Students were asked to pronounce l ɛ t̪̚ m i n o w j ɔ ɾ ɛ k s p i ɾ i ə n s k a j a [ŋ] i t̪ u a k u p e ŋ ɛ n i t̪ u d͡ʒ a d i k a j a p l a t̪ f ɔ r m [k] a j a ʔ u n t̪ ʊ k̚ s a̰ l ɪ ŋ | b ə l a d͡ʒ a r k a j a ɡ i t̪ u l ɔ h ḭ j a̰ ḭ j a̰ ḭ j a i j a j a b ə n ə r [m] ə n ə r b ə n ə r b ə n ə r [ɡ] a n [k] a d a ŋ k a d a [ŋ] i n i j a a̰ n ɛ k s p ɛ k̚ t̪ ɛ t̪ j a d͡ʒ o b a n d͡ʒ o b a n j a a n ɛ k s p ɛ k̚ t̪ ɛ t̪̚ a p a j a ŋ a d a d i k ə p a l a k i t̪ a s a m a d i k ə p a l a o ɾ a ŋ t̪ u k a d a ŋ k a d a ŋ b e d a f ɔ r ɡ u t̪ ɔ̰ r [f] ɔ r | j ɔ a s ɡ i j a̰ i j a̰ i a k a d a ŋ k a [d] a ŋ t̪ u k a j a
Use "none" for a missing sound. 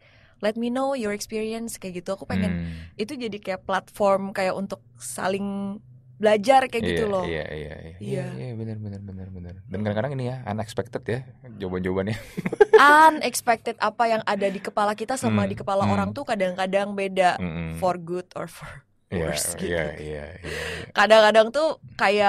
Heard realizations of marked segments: ɡ, k, b, d, k, ŋ, f, d

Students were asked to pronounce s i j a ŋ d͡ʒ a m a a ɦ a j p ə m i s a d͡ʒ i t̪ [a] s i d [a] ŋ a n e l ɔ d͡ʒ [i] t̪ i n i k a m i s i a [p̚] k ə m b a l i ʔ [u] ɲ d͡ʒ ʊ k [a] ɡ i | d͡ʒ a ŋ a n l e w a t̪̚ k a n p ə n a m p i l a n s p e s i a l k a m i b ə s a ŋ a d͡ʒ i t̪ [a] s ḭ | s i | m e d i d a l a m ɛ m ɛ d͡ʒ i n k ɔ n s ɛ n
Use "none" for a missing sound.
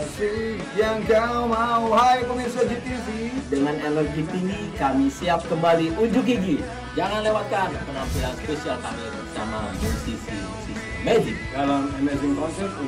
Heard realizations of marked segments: i, ə, i, p̚, u, i, i

